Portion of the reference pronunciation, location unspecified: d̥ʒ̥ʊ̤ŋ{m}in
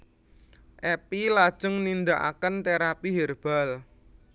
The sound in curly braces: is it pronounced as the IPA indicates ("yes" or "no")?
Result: no